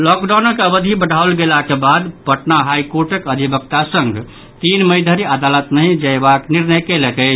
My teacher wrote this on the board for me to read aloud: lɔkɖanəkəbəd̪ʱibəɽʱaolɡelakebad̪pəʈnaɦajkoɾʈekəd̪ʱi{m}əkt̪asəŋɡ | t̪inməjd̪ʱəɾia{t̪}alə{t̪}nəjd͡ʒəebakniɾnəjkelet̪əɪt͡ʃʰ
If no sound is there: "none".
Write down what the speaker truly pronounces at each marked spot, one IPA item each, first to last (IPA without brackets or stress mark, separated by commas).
b, d̪, t̪